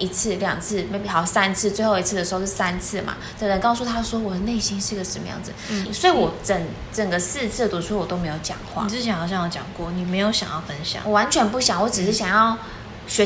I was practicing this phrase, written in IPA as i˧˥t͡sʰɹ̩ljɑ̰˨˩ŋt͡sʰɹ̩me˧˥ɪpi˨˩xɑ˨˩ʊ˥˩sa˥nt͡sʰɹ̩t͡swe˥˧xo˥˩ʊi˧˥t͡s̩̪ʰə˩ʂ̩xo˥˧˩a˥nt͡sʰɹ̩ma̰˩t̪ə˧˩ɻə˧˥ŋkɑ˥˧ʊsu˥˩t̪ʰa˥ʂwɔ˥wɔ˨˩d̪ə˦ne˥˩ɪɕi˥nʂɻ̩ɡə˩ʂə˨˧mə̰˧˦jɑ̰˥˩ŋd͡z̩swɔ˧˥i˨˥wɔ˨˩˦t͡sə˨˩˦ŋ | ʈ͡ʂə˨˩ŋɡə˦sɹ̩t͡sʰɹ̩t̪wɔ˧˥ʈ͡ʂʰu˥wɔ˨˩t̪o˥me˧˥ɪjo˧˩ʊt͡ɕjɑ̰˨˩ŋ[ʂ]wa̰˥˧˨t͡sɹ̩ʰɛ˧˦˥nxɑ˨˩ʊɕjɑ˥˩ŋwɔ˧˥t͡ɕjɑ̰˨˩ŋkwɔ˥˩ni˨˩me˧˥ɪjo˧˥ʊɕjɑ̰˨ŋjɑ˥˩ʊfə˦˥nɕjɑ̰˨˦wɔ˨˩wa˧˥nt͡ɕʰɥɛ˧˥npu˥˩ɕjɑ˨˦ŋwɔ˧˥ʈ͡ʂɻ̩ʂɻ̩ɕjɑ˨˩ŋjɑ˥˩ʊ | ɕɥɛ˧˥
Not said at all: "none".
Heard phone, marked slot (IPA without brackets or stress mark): x